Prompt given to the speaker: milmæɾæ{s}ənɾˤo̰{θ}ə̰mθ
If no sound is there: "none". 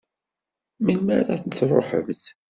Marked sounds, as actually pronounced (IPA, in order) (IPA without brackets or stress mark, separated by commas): θ, ħ